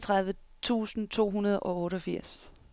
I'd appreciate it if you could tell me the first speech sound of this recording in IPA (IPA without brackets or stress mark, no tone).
t͡sʰ